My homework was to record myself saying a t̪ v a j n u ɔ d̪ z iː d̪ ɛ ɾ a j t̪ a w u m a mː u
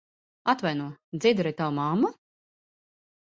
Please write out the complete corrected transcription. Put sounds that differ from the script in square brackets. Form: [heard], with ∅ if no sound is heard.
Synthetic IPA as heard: a t̪ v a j n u ɔ d̪ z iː d̪ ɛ ɾ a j t̪ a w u m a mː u